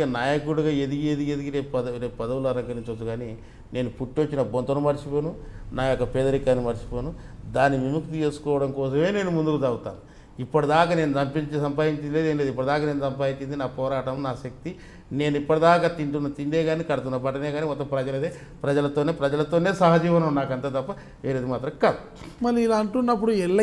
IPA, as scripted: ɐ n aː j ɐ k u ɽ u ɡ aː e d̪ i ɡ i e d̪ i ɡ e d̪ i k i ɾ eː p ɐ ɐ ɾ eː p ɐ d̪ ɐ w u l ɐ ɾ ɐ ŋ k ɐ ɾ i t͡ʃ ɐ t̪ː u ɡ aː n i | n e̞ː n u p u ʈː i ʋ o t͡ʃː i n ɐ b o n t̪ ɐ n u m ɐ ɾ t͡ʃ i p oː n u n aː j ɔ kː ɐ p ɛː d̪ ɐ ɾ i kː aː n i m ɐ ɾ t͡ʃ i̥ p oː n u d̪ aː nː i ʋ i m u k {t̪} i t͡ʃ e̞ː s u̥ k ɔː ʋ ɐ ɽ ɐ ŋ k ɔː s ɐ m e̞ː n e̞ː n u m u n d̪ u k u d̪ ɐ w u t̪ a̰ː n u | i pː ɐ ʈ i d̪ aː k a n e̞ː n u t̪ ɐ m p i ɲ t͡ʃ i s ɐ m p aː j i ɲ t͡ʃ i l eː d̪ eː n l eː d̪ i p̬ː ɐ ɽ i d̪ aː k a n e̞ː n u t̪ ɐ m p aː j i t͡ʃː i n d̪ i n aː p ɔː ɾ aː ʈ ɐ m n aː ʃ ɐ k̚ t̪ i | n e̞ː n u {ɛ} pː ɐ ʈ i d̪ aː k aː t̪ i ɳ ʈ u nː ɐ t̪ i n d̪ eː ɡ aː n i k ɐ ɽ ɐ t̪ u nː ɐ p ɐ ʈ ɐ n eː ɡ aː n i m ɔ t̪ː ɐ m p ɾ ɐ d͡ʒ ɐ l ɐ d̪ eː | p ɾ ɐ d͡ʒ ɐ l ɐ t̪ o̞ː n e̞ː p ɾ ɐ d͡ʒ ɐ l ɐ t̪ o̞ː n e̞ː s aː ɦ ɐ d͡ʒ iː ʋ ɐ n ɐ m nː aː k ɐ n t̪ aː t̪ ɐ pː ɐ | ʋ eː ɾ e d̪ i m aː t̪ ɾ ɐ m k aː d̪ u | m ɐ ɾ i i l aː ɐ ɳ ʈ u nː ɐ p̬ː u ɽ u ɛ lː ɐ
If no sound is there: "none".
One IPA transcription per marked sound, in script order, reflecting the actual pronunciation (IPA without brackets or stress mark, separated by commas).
t̪, i